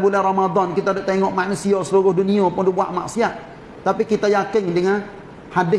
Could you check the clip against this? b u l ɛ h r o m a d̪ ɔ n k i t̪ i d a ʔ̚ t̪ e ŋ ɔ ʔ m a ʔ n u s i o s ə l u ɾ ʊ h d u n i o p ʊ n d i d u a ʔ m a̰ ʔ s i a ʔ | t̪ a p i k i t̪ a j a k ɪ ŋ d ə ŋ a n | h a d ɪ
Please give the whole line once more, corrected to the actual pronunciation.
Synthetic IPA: b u l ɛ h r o m a d̪ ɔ n k i t̪ a d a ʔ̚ t̪ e ŋ ɔ ʔ m a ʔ n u s i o s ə l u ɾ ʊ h d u n i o p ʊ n d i b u a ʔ m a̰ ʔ s i a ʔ | t̪ a p i k i t̪ a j a k ɪ ŋ d ə ŋ a n | h a d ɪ

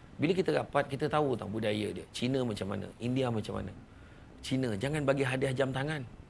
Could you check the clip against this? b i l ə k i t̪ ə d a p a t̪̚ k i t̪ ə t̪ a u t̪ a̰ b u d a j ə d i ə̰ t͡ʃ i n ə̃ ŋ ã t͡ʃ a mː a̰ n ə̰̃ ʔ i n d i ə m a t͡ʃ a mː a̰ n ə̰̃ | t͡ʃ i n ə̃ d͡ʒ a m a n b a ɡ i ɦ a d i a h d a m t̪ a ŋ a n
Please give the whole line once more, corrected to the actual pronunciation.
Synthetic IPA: b i l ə k i t̪ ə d a p a t̪̚ k i t̪ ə t̪ a u t̪ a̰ b u d a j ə d i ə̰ t͡ʃ i n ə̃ m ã t͡ʃ a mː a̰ n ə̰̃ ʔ i n d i a m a t͡ʃ a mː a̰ n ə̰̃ | t͡ʃ i n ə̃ d͡ʒ a ŋ a n b a ɡ i ɦ a d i a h d͡ʒ a m t̪ a ŋ a n

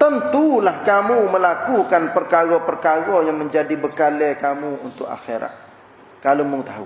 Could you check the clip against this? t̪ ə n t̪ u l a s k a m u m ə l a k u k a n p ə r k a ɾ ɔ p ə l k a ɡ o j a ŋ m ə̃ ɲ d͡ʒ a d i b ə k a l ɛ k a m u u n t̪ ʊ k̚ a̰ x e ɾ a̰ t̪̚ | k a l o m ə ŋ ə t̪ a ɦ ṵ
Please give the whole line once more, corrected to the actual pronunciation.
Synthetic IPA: t̪ ə n t̪ u l a h k a m u m ə l a k u k a n p ə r k a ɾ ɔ p ə r k a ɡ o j a ŋ m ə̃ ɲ d͡ʒ a d i b ə k a l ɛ k a m u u n t̪ ʊ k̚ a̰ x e ɾ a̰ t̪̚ | k a l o m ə ŋ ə t̪ a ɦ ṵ

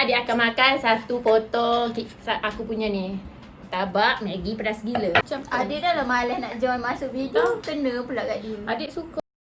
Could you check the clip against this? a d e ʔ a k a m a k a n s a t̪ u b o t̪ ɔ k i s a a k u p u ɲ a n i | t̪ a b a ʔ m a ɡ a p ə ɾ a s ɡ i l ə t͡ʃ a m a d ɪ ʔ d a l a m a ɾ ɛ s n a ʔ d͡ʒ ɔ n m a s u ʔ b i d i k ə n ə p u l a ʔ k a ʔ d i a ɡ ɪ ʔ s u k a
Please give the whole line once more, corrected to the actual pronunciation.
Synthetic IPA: a d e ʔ a k a m a k a n s a t̪ u p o t̪ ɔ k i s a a k u p u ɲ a n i | t̪ a b a ʔ m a ɡ i p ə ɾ a s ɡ i l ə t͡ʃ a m a d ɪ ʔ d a l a m a l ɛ h n a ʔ d͡ʒ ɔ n m a s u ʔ b i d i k ə n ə p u l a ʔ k a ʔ d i a d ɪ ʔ s u k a

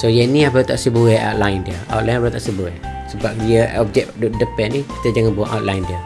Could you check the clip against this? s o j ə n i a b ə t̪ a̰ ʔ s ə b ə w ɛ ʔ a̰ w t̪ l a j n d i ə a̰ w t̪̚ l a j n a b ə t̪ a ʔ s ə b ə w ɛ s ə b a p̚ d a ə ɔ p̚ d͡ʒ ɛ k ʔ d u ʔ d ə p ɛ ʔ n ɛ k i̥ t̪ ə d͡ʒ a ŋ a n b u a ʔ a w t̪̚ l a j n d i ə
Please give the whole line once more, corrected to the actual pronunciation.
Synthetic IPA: s o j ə n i a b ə t̪ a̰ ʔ s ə b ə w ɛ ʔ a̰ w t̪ l a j n d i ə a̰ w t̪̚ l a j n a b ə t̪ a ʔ s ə b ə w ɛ s ə b a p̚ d i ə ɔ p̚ d͡ʒ ɛ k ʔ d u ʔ d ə p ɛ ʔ n i k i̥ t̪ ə d͡ʒ a ŋ a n b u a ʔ a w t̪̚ l a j n d i ə

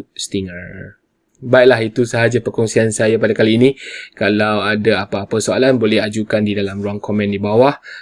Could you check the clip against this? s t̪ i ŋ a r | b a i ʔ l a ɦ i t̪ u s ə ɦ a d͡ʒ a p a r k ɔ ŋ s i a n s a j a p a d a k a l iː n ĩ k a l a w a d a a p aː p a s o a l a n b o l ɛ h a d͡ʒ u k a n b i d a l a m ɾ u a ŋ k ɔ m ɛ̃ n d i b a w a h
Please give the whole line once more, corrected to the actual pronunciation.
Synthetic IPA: s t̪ i ŋ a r | b a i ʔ l a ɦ i t̪ u s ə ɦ a d͡ʒ a p ə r k ɔ ŋ s i a n s a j a p a d a k a l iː n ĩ k a l a w a d a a p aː p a s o a l a n b o l ɛ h a d͡ʒ u k a n d i d a l a m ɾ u a ŋ k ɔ m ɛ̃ n d i b a w a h

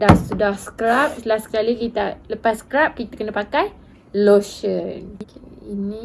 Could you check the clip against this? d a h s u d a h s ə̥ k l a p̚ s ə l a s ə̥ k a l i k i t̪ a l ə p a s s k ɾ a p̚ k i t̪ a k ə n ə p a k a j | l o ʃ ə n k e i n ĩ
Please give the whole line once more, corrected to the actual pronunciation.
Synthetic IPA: d a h s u d a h s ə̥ k ɾ a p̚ s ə l a s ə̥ k a l i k i t̪ a l ə p a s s k ɾ a p̚ k i t̪ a k ə n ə p a k a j | l o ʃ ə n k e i n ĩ

